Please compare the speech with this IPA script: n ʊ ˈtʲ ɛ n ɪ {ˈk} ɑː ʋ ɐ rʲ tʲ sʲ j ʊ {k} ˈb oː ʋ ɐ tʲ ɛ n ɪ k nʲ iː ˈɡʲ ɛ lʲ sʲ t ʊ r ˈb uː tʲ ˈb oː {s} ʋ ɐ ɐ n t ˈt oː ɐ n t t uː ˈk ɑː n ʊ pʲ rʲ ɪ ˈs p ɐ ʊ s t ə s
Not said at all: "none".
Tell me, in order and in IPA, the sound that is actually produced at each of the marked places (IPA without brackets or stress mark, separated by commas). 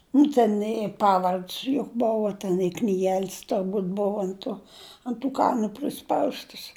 p, k, none